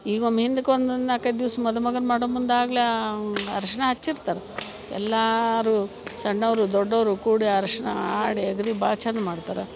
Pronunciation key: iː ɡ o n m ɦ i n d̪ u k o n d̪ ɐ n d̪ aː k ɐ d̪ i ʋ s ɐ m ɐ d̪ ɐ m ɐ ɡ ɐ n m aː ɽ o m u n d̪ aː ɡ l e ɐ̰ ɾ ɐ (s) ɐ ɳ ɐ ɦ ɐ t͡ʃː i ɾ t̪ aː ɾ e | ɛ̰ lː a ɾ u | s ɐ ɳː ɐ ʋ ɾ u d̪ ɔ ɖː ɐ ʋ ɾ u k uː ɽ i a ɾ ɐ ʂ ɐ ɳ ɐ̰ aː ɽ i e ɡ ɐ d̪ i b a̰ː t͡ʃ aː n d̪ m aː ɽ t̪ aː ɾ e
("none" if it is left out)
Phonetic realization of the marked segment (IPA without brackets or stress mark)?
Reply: ʂ